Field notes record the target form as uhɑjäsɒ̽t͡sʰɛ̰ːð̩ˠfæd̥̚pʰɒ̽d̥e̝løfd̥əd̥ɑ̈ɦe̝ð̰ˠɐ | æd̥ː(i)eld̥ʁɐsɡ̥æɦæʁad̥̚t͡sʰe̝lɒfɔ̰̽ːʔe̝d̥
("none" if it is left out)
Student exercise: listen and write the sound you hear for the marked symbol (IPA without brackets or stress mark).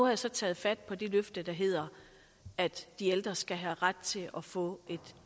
i